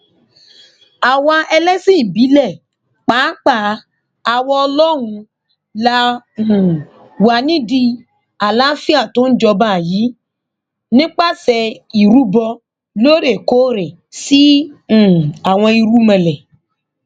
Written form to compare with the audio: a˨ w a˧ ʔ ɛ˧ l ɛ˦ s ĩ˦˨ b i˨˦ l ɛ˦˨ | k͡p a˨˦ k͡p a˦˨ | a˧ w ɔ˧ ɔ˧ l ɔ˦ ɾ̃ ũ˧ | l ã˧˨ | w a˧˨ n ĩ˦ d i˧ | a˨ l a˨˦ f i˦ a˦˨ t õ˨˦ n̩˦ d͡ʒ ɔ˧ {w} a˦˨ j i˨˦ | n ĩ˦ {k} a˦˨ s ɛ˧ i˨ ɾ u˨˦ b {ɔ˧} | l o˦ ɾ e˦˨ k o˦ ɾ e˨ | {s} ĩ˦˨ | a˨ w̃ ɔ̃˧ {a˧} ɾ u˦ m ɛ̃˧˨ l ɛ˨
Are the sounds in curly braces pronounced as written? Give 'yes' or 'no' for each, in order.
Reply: no, no, yes, yes, no

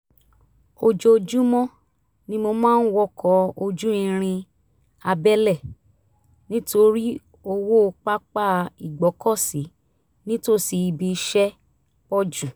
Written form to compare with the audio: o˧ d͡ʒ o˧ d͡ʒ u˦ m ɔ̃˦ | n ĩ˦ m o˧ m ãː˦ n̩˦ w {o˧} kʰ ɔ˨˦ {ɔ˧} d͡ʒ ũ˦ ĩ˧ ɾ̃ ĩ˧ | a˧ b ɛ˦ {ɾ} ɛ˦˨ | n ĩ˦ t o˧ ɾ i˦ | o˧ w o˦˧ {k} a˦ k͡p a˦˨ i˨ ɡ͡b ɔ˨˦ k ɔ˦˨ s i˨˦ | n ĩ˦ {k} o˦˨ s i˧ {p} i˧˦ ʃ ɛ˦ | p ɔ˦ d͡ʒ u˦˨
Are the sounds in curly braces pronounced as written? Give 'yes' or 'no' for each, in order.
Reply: no, no, no, no, no, no

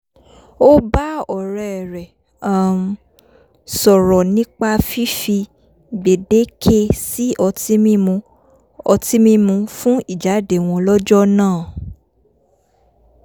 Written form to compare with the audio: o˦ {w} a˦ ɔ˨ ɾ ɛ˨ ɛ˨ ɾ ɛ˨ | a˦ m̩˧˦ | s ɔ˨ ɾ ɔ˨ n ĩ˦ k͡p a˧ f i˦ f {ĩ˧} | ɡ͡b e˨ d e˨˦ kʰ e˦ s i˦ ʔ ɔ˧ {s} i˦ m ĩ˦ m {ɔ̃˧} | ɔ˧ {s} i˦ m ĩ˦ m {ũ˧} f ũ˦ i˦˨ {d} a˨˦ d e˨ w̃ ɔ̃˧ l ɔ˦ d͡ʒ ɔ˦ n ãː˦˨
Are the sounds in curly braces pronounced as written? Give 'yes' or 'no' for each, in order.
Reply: no, no, no, no, no, yes, no

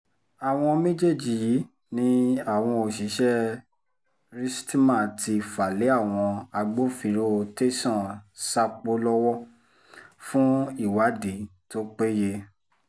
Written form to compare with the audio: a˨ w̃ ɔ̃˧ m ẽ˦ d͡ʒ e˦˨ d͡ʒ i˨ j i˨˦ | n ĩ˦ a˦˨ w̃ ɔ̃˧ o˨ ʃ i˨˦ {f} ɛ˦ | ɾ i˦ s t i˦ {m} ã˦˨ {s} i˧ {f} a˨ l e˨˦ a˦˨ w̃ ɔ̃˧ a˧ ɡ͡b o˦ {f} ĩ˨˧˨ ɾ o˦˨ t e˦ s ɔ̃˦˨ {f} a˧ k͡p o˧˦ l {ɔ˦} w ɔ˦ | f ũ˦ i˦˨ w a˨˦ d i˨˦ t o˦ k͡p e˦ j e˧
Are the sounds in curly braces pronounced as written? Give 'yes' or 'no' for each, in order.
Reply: no, yes, no, yes, yes, no, yes

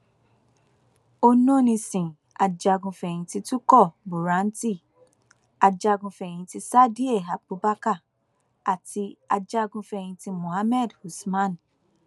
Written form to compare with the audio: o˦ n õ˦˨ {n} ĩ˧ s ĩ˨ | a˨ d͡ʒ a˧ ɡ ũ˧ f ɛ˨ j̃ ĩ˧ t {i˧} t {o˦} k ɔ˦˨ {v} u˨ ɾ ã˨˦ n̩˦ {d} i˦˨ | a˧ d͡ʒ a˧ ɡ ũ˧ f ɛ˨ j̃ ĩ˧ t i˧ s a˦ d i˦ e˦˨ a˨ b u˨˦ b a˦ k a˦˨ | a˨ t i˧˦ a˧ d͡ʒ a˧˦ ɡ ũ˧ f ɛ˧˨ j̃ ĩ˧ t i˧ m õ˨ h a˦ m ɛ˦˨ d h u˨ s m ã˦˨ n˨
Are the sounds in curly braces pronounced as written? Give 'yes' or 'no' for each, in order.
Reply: yes, yes, no, no, no

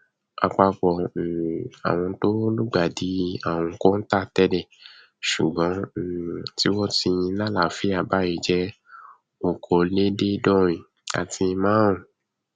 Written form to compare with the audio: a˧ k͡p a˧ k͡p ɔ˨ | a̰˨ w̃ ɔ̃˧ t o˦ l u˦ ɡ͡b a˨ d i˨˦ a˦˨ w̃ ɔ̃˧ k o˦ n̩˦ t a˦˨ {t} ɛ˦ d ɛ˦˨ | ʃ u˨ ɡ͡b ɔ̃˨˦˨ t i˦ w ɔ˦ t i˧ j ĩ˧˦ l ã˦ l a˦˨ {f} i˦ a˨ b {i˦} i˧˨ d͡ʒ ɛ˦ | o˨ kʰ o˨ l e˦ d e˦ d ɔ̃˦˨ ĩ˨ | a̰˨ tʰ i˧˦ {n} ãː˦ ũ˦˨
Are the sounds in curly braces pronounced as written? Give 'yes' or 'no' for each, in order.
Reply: yes, yes, no, no

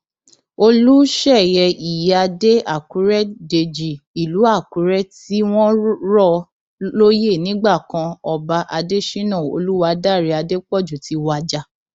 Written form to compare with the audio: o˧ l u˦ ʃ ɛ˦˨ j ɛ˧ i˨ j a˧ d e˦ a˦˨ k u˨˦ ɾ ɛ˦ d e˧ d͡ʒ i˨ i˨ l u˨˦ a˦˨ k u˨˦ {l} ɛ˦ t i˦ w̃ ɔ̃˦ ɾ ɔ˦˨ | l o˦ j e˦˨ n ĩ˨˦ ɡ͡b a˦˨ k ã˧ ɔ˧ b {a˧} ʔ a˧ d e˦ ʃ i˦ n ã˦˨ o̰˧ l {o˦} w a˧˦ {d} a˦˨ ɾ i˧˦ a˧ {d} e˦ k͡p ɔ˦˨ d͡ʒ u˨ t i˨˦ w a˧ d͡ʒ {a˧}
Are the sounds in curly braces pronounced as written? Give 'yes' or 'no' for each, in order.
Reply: no, yes, no, yes, yes, yes

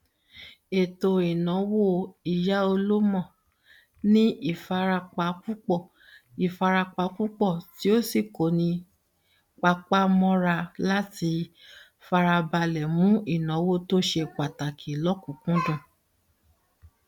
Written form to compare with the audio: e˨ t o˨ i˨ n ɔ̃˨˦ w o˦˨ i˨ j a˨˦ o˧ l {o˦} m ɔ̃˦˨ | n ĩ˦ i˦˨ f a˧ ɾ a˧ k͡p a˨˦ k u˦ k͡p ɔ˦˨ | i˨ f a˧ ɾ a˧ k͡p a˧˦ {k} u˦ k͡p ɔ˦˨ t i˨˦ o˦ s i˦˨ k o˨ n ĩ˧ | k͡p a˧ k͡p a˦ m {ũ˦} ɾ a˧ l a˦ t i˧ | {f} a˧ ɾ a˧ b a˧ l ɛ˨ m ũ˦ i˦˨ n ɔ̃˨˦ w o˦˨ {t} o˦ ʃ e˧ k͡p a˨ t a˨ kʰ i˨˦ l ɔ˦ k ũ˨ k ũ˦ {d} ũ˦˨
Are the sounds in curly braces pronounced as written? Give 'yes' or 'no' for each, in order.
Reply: yes, yes, no, yes, yes, yes

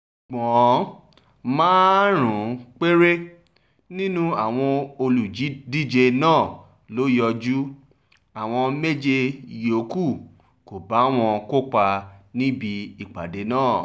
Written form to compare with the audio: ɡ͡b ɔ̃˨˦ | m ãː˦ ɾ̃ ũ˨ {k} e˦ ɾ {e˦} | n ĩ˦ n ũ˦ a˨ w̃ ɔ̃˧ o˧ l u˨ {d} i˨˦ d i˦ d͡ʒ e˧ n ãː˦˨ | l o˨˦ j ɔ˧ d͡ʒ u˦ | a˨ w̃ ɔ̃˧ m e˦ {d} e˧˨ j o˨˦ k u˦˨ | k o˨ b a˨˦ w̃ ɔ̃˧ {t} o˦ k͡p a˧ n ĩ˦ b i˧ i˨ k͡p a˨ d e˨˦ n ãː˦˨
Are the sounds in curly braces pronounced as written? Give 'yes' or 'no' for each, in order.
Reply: no, yes, no, no, no

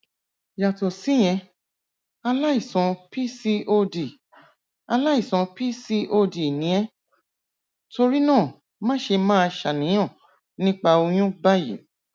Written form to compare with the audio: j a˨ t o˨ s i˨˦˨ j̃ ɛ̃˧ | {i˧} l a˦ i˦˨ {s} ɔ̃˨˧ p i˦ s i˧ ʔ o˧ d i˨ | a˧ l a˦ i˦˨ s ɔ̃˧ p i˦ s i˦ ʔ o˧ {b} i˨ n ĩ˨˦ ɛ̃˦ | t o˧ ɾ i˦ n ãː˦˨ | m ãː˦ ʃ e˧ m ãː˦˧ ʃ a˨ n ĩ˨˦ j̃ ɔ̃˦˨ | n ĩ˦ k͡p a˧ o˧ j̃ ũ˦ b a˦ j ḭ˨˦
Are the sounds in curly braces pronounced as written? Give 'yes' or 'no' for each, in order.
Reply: no, yes, no

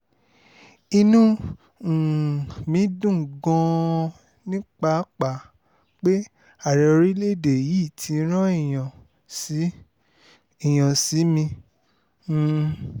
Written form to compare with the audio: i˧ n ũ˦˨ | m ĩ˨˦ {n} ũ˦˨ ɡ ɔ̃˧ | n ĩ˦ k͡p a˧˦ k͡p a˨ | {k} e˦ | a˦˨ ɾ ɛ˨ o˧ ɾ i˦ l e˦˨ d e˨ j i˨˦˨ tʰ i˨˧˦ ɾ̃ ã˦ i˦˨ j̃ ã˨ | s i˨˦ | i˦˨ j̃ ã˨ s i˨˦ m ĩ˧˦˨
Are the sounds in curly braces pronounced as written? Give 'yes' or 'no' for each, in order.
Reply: no, no

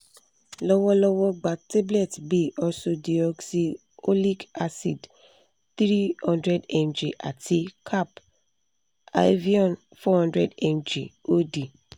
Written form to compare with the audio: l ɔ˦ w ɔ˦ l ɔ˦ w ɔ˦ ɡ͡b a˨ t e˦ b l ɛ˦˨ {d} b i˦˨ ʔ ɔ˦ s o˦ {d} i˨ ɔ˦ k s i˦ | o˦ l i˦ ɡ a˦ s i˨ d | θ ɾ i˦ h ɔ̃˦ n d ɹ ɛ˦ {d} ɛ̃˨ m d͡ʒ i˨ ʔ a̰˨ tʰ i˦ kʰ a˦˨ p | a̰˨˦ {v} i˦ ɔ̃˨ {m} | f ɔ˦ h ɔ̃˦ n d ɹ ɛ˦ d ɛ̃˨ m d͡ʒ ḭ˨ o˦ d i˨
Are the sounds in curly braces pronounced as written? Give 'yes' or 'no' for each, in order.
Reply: no, yes, yes, yes, no

